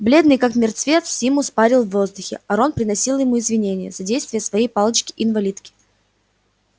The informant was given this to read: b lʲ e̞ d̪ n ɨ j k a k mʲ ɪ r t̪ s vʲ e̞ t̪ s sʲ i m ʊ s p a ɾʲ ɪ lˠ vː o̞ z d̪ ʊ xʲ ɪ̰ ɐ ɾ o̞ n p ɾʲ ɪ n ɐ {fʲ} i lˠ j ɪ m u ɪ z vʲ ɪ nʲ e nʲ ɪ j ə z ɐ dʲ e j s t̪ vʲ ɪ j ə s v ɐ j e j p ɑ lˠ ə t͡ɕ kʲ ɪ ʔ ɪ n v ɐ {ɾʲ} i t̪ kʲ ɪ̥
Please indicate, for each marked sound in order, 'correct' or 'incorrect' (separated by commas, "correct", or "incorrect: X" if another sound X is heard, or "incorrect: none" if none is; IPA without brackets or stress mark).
incorrect: sʲ, incorrect: lʲ